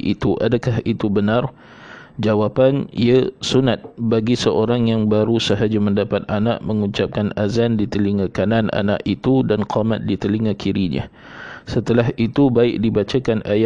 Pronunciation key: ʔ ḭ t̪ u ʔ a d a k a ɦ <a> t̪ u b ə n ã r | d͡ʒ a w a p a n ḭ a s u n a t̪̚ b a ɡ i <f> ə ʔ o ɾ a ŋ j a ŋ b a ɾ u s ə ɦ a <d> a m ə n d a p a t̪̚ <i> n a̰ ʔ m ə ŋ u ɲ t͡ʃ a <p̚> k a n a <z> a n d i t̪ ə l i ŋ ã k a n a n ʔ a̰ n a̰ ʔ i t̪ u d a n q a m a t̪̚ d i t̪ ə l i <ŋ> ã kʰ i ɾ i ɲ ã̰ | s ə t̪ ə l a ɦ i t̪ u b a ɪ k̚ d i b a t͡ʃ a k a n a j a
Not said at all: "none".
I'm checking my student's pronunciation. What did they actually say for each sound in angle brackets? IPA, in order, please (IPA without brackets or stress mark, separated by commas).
i, s, d͡ʒ, a, p̚, z, ŋ